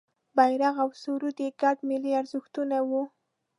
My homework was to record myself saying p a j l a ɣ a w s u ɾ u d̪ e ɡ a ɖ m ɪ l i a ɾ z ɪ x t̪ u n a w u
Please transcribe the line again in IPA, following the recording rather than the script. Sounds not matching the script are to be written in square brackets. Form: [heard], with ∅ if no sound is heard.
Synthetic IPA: [b] a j [ɾ] a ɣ a w s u ɾ u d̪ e ɡ a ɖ m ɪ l i a ɾ z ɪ x t̪ u n a w u